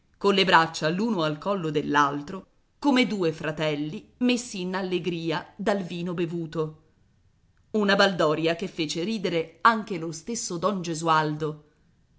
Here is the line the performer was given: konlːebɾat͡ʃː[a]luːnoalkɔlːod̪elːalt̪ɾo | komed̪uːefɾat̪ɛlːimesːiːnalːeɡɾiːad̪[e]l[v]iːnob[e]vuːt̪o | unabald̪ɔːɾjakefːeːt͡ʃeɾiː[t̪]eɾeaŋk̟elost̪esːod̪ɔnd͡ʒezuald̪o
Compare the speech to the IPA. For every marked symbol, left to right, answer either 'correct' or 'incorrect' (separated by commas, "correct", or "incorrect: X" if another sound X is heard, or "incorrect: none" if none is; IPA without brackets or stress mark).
correct, incorrect: a, correct, correct, incorrect: d̪